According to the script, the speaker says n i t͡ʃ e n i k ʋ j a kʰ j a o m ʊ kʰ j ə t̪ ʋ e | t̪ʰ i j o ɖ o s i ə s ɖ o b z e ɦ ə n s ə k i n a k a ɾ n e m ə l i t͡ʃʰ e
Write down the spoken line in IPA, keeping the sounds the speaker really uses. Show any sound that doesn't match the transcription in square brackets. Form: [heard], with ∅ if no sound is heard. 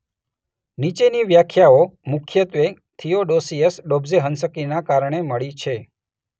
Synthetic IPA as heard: n i t͡ʃ e n i [∅] ʋ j a kʰ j a o m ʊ kʰ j ə t̪ ʋ e | t̪ʰ i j o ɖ o s i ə s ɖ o b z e ɦ ə n s ə k i n a k a ɾ [ɳ] e m ə [ɭ] i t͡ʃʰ e